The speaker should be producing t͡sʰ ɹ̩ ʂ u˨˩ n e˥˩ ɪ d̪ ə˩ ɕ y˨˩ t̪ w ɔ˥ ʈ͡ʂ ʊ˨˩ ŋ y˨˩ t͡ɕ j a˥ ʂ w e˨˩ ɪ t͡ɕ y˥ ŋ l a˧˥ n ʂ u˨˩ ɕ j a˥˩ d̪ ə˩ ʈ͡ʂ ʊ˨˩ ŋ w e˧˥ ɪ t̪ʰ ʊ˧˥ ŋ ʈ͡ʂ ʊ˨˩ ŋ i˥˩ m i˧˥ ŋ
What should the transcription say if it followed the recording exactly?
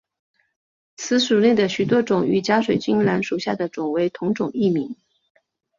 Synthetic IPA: t͡sʰ ɹ̩ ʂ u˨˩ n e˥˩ ɪ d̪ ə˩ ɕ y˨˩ t̪ w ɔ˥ ʈ͡ʂ ʊ˨˩ ŋ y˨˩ t͡ɕ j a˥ ʂ w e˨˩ ɪ t͡ɕ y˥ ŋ l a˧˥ n ʂ u˨˩ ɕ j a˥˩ d̪ ə˩ ʈ͡ʂ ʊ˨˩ ŋ w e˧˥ ɪ t̪ʰ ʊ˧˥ ŋ ʈ͡ʂ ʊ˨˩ ŋ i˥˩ m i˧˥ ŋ

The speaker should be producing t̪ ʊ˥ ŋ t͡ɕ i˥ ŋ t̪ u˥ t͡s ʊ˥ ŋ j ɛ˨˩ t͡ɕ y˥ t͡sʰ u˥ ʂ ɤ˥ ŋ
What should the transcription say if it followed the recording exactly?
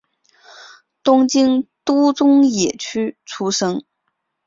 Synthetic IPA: t̪ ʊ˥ ŋ t͡ɕ i˥ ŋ t̪ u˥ t͡s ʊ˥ ŋ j ɛ˨˩ t͡ɕʰ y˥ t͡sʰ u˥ ʂ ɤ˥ ŋ

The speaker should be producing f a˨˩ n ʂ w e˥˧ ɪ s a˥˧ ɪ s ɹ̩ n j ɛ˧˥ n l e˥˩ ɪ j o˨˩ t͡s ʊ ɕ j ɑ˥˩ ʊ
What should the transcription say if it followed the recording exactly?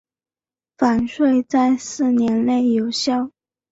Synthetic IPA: f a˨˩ n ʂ w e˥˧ ɪ t͡s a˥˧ ɪ s ɹ̩ n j ɛ˧˥ n l e˥˩ ɪ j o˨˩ ʊ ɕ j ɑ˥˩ ʊ

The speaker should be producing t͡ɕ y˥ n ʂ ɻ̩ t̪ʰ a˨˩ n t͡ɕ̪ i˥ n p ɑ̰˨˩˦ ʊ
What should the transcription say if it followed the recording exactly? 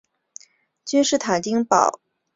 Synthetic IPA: t͡ɕ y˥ n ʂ ɻ̩ t̪ʰ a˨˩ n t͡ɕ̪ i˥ ŋ p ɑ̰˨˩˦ ʊ

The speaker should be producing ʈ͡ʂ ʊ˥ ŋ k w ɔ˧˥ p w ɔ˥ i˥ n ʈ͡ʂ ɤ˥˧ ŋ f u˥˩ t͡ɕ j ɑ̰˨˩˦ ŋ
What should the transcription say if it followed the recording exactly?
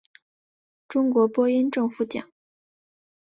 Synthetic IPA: ʈ͡ʂ ʊ˥ ŋ k w ɔ˧˥ p w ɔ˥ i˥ n ʈ͡ʂ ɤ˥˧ ŋ f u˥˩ t͡ɕ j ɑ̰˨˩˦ ŋ

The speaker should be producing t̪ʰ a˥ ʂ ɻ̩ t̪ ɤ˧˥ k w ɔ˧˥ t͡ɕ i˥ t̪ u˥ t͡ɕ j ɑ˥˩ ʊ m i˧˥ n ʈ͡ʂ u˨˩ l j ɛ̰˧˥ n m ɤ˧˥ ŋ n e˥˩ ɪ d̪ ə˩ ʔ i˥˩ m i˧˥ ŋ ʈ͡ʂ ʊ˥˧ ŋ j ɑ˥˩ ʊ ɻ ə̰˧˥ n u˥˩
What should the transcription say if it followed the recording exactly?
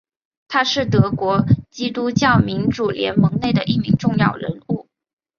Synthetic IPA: t̪ʰ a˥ ʂ ɻ̩ t̪ ɤ˧˥ k w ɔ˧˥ t͡ɕ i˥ t̪ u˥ t͡ɕ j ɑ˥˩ ʊ m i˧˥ n ʈ͡ʂ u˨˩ l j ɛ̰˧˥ n m ɤ˧˥ ŋ n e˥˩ ɪ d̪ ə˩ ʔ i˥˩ m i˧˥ ŋ ʈ͡ʂ ʊ˥˧ ŋ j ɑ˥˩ ʊ ɻ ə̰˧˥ n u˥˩

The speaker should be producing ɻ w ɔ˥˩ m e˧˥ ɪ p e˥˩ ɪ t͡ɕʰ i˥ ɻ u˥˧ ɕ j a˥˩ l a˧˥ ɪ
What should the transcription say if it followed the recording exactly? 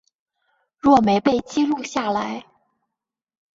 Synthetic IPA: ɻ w ɔ˥˩ m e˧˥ ɪ p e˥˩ ɪ t͡ɕ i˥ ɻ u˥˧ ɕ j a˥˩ l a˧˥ ɪ

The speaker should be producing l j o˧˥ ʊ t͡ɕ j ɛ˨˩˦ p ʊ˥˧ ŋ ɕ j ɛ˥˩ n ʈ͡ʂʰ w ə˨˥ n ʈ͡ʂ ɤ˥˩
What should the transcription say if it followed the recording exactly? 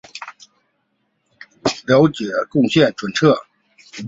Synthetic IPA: l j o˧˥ ʊ t͡ɕ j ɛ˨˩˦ k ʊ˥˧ ŋ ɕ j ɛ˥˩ n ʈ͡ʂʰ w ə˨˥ n ʈ͡ʂʰ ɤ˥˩

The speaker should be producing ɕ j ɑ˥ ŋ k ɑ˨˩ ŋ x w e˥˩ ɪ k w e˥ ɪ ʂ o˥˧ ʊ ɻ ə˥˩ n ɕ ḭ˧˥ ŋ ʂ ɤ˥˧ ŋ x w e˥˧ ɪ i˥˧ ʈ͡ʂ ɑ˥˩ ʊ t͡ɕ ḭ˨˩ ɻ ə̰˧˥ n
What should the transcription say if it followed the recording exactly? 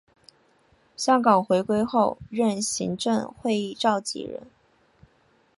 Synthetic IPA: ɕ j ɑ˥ ŋ k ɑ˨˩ ŋ x w e˧˥ ɪ k w e˥ ɪ x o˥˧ ʊ ɻ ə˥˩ n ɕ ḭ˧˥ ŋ ʈ͡ʂ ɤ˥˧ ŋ x w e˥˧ ɪ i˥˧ ʈ͡ʂ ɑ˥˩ ʊ t͡ɕ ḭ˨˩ ɻ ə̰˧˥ n

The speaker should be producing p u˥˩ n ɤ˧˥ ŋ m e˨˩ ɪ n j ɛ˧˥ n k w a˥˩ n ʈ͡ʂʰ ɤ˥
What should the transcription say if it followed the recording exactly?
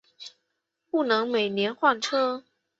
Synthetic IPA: p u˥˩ n ɤ˧˥ ŋ m e˨˩ ɪ n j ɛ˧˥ n x w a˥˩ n ʈ͡ʂʰ ɤ˥

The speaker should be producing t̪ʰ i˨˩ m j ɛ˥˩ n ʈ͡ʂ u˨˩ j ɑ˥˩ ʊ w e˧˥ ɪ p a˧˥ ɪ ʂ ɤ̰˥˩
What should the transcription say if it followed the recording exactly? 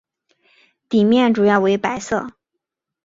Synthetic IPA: t̪ i˨˩ m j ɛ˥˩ n ʈ͡ʂ u˨˩ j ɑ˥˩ ʊ w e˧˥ ɪ p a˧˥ ɪ s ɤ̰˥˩

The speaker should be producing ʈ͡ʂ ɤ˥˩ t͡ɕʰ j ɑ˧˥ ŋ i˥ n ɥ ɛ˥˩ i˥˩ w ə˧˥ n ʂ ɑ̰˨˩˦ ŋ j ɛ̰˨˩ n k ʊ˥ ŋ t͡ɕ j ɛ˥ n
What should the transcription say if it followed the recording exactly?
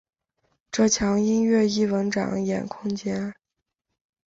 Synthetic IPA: ʈ͡ʂ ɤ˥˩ t͡ɕʰ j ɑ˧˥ ŋ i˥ n ɥ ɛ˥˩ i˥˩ w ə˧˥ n ʈ͡ʂ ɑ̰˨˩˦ ŋ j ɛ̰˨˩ n kʰ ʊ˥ ŋ t͡ɕ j ɛ˥ n

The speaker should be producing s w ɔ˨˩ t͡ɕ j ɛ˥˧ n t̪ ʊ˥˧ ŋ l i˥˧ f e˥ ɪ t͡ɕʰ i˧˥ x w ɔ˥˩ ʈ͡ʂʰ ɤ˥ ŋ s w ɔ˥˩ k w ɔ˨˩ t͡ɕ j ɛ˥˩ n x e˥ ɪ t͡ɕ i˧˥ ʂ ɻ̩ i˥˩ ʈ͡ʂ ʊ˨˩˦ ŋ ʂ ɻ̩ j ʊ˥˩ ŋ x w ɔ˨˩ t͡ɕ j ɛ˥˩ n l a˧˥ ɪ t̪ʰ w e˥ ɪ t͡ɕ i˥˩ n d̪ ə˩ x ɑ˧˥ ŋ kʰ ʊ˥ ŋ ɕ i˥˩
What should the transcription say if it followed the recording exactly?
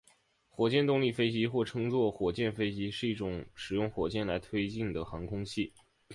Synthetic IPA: x w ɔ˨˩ t͡ɕ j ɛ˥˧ n t̪ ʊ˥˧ ŋ l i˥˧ f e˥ ɪ t͡ɕ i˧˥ x w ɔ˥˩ ʈ͡ʂʰ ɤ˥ ŋ t͡s w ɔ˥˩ x w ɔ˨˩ t͡ɕ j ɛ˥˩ n f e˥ ɪ t͡ɕ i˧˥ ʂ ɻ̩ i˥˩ ʈ͡ʂ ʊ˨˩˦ ŋ ʂ ɻ̩ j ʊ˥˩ ŋ x w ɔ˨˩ t͡ɕ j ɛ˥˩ n l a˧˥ ɪ t̪ʰ w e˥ ɪ t͡ɕ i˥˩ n d̪ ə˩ x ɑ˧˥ ŋ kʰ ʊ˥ ŋ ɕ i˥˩

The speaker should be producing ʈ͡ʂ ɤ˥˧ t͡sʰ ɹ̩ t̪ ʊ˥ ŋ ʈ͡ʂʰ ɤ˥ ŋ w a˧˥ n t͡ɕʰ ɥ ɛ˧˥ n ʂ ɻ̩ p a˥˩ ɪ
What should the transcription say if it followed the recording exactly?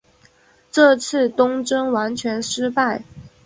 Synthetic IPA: ʈ͡ʂ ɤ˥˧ t͡sʰ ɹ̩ t̪ ʊ˥ ŋ ʈ͡ʂ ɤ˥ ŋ w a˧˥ n t͡ɕʰ ɥ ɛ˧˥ n ʂ ɻ̩ p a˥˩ ɪ

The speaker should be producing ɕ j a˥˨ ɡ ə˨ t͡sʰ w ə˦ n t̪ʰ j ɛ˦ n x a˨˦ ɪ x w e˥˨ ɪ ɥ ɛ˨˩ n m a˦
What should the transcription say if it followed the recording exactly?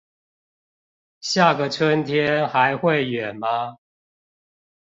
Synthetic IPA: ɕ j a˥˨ ɡ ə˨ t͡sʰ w ə˦ n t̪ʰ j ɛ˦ n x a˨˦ ɪ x w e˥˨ ɪ ɥ ɛ˨˩ n m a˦

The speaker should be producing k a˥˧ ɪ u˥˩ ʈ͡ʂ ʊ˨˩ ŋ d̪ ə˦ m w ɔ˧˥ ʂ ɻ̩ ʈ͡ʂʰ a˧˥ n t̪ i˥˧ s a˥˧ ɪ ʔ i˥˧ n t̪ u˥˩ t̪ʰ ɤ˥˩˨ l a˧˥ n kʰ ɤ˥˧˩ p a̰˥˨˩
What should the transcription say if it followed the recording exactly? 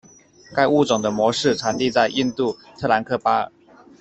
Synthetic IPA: k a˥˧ ɪ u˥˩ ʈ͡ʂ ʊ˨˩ ŋ d̪ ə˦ m w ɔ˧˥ ʂ ɻ̩ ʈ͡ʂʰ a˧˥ n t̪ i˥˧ t͡s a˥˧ ɪ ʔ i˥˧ n t̪ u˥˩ t̪ʰ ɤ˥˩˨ l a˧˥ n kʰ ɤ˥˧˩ p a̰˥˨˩

